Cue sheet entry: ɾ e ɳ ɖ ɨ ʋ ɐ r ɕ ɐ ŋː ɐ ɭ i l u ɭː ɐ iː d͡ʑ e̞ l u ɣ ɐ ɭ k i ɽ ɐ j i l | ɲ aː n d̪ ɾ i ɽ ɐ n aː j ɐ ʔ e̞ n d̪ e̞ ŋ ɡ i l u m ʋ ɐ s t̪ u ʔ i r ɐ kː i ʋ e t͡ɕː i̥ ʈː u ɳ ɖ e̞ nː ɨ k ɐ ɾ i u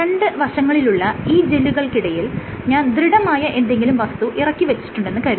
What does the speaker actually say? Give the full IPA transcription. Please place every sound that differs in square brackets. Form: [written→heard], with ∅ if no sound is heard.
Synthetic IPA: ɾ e ɳ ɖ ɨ ʋ ɐ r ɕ ɐ ŋː ɐ ɭ i l u ɭː ɐ iː d͡ʑ e̞ l u ɣ ɐ ɭ k i ɽ ɐ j i l | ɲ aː n d̪ ɾ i ɽ ɐ [n→m] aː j ɐ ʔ e̞ n d̪ e̞ ŋ ɡ i l u m ʋ ɐ s t̪ u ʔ i r ɐ kː i ʋ e t͡ɕː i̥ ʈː u ɳ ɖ e̞ nː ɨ k ɐ ɾ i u

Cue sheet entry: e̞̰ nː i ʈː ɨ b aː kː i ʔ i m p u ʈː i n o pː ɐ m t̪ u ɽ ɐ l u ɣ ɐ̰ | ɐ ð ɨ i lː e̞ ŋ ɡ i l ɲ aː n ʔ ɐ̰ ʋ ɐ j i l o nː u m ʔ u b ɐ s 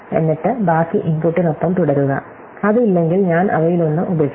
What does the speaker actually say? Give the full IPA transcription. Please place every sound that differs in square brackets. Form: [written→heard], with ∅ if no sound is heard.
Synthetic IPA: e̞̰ nː i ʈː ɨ b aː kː i ʔ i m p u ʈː i n o pː ɐ m t̪ u ɽ ɐ [l→ɾ] u ɣ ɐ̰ | ɐ ð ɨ i lː e̞ ŋ ɡ i l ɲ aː n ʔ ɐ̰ ʋ ɐ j i l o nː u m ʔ u b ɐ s

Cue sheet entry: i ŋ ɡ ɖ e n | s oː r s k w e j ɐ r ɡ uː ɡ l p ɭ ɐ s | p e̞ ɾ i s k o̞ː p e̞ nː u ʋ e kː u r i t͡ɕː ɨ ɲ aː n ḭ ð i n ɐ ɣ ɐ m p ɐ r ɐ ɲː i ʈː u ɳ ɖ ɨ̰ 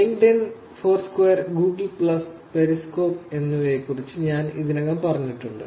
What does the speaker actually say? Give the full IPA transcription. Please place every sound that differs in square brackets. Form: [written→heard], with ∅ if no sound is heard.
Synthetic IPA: i ŋ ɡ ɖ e n | [s→f] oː r s k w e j ɐ r ɡ uː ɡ l p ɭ ɐ s | p e̞ ɾ i s k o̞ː p e̞ nː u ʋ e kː u r i t͡ɕː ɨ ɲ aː n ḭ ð i n ɐ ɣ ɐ m p ɐ r ɐ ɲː i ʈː u ɳ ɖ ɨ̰

